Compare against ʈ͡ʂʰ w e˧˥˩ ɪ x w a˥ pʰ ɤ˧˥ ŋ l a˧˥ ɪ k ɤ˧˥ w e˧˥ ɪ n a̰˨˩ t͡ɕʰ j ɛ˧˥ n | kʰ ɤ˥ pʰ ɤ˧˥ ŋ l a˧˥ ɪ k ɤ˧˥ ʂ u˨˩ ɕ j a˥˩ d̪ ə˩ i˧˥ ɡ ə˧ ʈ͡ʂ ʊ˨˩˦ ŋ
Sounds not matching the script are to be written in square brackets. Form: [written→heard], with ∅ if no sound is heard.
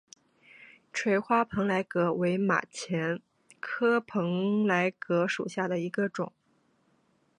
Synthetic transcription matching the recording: ʈ͡ʂʰ w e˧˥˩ ɪ x w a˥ pʰ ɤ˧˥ ŋ l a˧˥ ɪ k ɤ˧˥ w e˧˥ ɪ [n→m] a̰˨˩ t͡ɕʰ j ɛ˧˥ n | kʰ ɤ˥ pʰ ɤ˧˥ ŋ l a˧˥ ɪ k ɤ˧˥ ʂ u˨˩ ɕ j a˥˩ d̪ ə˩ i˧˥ ɡ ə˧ ʈ͡ʂ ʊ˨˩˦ ŋ